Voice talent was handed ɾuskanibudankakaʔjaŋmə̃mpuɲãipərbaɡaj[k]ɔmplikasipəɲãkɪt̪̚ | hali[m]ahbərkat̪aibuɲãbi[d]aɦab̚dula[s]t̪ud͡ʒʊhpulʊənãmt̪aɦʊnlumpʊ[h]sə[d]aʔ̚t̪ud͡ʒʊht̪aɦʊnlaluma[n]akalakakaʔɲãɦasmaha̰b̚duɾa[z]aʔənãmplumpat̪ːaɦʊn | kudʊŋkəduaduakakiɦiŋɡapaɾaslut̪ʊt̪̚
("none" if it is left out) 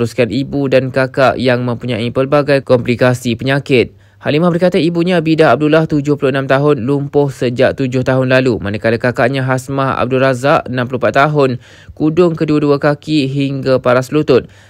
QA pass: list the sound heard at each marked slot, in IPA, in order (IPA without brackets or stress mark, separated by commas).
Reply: k, m, d, h, h, d͡ʒ, n, z